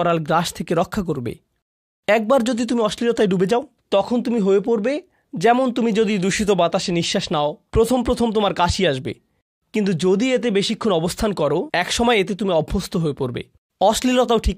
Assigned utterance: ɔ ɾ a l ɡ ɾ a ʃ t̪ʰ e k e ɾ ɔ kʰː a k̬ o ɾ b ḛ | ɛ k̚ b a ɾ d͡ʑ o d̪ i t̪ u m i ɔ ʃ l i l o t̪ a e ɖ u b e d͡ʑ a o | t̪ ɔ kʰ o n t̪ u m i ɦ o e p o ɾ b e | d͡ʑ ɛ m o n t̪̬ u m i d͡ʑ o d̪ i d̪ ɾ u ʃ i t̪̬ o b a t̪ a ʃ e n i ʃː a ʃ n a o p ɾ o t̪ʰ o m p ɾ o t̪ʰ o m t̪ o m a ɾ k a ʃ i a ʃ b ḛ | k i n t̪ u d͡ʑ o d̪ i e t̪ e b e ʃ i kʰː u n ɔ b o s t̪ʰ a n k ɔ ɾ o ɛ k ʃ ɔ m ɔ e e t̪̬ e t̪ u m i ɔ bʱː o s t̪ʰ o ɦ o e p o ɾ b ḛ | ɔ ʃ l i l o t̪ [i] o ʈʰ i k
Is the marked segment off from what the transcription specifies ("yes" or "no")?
yes